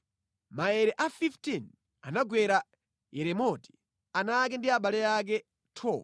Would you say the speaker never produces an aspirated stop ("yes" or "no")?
no